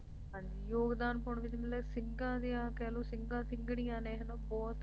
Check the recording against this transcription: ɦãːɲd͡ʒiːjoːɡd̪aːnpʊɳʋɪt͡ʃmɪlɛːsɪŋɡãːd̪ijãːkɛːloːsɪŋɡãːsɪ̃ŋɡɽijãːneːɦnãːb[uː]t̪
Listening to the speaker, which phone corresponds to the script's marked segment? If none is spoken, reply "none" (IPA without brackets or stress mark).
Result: ɔː